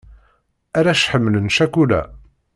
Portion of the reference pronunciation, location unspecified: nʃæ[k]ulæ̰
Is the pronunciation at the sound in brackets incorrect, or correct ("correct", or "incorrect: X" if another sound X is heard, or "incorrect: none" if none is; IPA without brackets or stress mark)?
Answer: correct